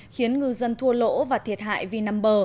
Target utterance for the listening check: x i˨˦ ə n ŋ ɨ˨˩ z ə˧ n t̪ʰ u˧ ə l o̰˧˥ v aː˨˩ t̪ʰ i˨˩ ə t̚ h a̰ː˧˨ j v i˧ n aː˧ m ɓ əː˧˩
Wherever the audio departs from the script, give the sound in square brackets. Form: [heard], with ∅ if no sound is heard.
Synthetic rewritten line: x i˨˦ ə n ŋ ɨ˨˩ z ə˧ n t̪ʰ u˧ ə l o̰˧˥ v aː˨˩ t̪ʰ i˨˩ ə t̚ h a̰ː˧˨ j v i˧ n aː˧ m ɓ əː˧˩